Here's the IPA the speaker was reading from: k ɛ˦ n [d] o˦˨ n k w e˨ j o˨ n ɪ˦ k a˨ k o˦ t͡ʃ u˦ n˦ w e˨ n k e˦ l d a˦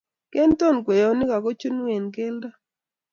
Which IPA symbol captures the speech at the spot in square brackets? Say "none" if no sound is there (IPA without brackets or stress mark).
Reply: t